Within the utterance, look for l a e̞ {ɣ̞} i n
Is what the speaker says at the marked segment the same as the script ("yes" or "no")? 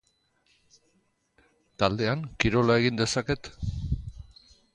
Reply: yes